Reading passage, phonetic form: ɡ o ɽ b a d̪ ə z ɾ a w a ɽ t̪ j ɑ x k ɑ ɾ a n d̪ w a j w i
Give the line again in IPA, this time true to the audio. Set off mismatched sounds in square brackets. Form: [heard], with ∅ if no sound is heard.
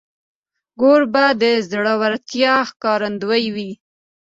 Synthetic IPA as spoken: ɡ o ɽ b a d̪ ə z [ɽ] a w a [ɾ] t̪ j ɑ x k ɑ ɾ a n d̪ w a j w i